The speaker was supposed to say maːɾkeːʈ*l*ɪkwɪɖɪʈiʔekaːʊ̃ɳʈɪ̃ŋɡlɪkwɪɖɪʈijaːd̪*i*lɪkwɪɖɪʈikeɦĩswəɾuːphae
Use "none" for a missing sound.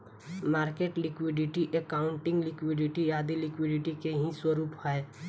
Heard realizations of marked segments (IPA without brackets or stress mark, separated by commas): l, i